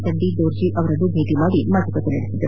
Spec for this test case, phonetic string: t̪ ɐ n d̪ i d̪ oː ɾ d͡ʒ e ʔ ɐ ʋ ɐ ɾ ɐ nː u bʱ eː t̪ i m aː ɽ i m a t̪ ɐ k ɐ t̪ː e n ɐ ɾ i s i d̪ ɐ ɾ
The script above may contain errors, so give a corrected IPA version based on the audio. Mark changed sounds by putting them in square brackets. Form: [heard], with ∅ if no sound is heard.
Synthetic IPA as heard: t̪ ɐ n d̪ i d̪ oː ɾ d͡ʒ [i] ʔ ɐ ʋ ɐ ɾ ɐ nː u bʱ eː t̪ i m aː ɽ i m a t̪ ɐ k ɐ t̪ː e n ɐ [ɽ] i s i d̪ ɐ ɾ